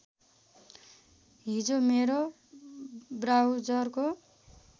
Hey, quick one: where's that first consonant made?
throat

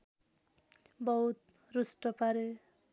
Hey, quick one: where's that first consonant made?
lips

